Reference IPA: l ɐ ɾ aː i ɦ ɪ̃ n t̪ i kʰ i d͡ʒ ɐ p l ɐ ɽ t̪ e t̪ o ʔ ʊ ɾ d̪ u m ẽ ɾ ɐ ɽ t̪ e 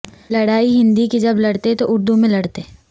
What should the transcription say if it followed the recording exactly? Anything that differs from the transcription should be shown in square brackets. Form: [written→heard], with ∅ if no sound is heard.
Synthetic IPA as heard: l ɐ [ɾ→ɽ] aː i ɦ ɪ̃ n [t̪→d̪] i [kʰ→k] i d͡ʒ ɐ [p→b] l ɐ ɽ t̪ e t̪ o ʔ ʊ ɾ d̪ u m ẽ [ɾ→l] ɐ ɽ t̪ e